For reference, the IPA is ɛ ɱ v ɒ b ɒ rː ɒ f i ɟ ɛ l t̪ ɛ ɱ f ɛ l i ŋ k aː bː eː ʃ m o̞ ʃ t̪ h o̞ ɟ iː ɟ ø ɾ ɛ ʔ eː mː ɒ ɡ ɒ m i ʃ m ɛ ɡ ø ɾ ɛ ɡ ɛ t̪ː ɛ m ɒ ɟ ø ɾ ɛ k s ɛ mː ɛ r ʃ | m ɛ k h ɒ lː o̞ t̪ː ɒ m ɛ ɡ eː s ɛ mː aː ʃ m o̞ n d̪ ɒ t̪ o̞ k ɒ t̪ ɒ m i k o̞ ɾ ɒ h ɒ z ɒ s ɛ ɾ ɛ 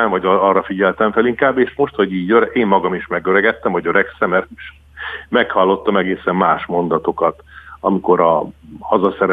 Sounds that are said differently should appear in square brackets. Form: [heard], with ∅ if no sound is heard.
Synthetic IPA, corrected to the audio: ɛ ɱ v ɒ [ɟ] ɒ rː ɒ f i ɟ ɛ l t̪ ɛ ɱ f ɛ l i ŋ k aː bː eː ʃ m o̞ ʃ t̪ h o̞ ɟ iː ɟ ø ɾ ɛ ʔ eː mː ɒ ɡ ɒ m i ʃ m ɛ ɡ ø ɾ ɛ ɡ ɛ t̪ː ɛ m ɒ ɟ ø ɾ ɛ k s ɛ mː ɛ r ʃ | m ɛ k h ɒ lː o̞ t̪ː ɒ m ɛ ɡ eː s ɛ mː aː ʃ m o̞ n d̪ ɒ t̪ o̞ k ɒ t̪ ɒ m i k o̞ ɾ ɒ h ɒ z ɒ s ɛ ɾ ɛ